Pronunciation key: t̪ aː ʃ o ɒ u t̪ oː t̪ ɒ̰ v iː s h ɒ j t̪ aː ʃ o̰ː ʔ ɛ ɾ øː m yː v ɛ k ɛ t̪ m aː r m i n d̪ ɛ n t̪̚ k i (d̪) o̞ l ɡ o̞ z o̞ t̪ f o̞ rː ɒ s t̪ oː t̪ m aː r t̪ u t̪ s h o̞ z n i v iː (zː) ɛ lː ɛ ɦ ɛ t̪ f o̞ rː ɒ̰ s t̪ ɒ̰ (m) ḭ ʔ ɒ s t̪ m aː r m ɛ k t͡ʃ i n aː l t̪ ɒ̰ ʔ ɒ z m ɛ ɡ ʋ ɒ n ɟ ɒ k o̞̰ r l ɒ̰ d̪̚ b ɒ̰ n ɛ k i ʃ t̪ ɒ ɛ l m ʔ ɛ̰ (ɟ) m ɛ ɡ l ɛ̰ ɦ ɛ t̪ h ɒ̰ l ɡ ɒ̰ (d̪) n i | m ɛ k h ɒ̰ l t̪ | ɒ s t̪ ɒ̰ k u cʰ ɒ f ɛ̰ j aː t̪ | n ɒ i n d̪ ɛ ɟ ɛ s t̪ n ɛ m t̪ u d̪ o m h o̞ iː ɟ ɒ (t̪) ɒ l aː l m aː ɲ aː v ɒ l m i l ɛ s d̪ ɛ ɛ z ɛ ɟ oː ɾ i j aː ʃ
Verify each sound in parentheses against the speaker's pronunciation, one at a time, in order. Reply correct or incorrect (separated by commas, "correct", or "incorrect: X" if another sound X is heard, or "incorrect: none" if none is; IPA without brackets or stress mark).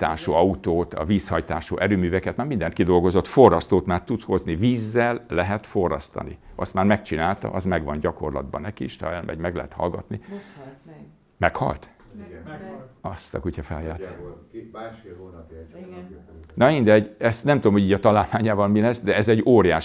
correct, correct, incorrect: n, correct, incorrect: t̪, correct